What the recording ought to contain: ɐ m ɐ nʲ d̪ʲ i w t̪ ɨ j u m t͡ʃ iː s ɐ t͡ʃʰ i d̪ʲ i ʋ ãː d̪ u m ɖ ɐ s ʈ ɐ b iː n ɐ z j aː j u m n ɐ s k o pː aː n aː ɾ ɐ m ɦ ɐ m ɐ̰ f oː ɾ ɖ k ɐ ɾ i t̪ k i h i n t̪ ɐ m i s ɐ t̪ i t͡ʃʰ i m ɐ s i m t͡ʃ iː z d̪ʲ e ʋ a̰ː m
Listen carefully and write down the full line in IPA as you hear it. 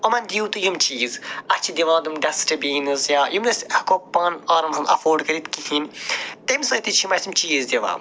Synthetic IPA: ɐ m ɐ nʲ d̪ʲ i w t̪ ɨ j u m t͡ʃ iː z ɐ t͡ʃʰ i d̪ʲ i ʋ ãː d̪ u m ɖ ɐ s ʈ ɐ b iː n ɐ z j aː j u m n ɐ s k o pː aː n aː ɾ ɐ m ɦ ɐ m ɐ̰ f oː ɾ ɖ k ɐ ɾ i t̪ k i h i n t̪ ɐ m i s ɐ t̪ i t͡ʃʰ i m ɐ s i m t͡ʃ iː z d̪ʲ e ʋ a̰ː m

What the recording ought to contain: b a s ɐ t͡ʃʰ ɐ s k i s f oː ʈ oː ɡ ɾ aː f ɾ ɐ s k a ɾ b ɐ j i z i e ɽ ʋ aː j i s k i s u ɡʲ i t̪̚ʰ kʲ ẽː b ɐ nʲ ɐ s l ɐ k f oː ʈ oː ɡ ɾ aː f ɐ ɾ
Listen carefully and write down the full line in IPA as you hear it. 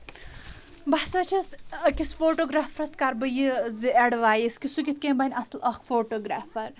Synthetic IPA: b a s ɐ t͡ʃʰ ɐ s k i s f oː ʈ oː ɡ ɾ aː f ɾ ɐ s k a ɾ b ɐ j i z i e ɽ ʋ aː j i s k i s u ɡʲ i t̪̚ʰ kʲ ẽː b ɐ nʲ ɐ s l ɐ k f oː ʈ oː ɡ ɾ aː f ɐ ɾ

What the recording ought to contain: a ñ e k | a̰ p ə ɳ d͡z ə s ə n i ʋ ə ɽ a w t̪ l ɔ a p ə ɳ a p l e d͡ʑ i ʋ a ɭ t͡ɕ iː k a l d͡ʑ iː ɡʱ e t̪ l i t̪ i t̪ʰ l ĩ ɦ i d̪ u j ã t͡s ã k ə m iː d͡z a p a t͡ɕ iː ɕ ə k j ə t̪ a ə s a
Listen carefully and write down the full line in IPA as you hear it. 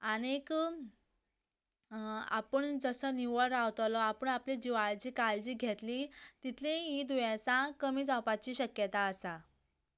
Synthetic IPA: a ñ e k | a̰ p ə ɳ d͡z ə s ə n i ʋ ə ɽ a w t̪ l ɔ a p ə ɳ a p l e d͡ʑ i ʋ a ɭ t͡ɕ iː k a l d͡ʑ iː ɡʱ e t̪ l i t̪ i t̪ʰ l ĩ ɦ i d̪ u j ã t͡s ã k ə m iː d͡z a p a t͡ɕ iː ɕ ə k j ə t̪ a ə s a

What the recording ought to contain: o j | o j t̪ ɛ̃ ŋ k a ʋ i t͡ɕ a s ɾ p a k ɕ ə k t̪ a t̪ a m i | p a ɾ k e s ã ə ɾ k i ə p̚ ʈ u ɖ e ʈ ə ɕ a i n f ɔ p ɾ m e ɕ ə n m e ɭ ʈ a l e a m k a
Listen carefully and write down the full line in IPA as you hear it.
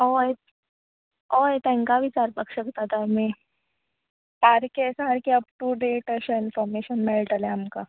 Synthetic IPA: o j | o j t̪ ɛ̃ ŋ k a ʋ i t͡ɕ a ɾ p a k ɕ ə k t̪ a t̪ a m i | p a ɾ k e s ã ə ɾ k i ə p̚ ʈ u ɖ e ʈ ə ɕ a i n f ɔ ɾ m e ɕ ə n m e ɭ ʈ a l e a m k a

